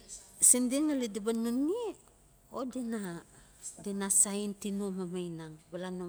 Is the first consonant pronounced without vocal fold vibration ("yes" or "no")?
yes